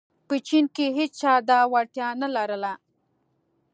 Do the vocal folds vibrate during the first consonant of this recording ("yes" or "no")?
no